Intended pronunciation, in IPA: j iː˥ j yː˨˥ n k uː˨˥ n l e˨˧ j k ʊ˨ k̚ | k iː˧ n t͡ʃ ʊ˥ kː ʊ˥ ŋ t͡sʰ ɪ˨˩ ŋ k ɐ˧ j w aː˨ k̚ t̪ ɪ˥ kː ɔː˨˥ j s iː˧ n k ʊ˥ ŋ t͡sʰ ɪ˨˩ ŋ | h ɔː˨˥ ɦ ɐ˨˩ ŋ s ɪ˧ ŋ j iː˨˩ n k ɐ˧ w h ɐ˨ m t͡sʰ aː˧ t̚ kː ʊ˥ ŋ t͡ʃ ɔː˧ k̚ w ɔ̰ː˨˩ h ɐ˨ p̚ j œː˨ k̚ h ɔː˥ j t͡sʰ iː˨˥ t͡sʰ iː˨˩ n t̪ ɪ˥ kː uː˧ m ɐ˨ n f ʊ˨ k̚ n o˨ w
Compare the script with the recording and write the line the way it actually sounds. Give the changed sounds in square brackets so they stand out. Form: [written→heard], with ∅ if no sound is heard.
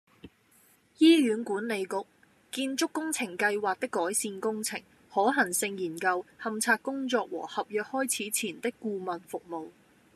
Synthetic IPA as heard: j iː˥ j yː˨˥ n k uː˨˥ n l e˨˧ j k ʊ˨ k̚ | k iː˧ n t͡ʃ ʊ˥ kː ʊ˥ ŋ t͡sʰ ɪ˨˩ ŋ k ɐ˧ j w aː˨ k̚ t̪ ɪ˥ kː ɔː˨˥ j s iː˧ n k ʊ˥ ŋ t͡sʰ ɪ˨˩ ŋ | h ɔː˨˥ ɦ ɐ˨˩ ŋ s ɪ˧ ŋ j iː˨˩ n k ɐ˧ w h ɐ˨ m t͡sʰ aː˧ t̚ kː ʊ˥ ŋ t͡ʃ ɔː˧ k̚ w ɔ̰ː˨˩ h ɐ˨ p̚ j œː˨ k̚ h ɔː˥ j t͡sʰ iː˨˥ t͡sʰ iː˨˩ n t̪ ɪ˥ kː uː˧ m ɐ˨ n f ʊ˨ k̚ [n→m] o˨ w